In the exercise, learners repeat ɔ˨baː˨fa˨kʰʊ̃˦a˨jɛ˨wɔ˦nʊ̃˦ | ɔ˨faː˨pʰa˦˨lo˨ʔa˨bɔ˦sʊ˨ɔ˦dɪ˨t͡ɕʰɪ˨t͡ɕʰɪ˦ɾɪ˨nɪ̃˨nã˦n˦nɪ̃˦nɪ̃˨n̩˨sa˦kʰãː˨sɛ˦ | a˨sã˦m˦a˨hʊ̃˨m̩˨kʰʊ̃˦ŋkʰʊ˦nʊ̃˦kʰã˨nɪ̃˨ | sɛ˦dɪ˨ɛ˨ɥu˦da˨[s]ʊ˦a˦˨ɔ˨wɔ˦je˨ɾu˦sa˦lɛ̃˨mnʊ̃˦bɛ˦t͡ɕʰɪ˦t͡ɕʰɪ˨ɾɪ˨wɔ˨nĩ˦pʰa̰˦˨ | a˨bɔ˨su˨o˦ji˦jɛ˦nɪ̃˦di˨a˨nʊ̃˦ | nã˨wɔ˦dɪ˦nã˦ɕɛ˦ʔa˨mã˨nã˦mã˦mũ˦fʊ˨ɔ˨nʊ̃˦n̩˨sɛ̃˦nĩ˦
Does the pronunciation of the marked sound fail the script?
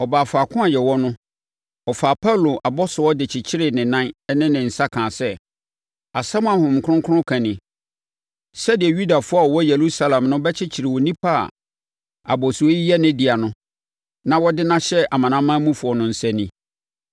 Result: yes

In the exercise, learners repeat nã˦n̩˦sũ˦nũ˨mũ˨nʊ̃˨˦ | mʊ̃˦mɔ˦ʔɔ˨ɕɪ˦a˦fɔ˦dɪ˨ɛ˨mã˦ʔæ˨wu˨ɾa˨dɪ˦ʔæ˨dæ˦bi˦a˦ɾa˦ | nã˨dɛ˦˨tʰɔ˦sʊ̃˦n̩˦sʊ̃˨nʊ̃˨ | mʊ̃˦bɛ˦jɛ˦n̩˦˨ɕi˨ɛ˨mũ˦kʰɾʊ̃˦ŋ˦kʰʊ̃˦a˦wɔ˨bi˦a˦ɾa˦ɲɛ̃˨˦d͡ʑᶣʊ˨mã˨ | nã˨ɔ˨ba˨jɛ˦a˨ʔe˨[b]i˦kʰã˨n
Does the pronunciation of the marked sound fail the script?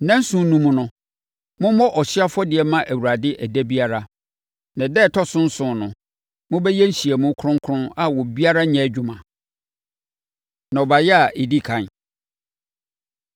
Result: yes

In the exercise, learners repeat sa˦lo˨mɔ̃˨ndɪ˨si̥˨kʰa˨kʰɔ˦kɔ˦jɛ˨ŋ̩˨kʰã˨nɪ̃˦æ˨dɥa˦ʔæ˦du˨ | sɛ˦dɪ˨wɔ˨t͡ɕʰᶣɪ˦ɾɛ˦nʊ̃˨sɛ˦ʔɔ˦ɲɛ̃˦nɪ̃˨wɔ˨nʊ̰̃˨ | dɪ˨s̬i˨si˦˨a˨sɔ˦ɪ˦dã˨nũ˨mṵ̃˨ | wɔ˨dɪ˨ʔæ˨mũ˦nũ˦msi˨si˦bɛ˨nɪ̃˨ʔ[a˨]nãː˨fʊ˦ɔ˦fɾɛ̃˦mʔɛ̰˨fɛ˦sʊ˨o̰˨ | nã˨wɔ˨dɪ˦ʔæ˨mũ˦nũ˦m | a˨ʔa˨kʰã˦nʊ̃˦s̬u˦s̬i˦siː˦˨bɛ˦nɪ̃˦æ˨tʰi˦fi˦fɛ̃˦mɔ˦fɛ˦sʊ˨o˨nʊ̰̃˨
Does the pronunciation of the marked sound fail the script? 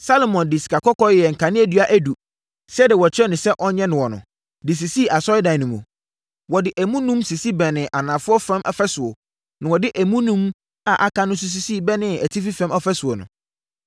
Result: no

